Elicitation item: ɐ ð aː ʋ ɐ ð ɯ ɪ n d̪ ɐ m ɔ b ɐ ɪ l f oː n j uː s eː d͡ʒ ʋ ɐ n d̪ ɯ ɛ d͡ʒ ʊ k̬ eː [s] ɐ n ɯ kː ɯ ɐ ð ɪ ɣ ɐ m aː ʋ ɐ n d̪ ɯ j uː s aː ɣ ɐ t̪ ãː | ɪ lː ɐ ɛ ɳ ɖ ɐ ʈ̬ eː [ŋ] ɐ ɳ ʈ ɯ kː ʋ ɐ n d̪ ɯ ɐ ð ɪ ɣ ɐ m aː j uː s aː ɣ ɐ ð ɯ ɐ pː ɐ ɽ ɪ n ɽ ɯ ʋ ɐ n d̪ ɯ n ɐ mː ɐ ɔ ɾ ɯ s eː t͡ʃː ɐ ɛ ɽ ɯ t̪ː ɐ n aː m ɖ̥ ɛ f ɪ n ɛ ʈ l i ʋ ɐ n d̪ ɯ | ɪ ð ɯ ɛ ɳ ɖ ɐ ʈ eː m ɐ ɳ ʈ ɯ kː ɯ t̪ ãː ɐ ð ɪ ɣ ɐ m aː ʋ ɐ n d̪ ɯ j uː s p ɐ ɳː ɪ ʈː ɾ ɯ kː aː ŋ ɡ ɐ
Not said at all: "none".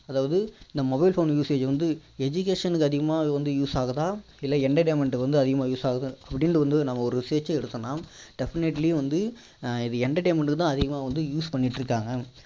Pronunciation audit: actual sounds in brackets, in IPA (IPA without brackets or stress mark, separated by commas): ʂ, m